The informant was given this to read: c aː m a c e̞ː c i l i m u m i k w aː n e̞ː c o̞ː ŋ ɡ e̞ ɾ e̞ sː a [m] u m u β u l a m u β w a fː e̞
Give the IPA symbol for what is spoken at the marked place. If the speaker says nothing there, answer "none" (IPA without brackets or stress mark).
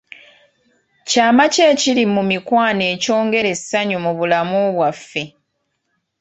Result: ɲ